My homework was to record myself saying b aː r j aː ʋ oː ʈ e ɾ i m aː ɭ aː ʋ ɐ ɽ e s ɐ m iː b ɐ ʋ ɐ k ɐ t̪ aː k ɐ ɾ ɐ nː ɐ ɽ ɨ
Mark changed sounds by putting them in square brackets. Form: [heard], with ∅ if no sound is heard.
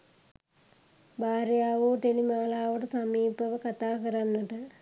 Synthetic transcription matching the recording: b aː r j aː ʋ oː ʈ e [l] i m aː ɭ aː ʋ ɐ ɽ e s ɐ m iː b ɐ ʋ ɐ k ɐ t̪ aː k ɐ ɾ ɐ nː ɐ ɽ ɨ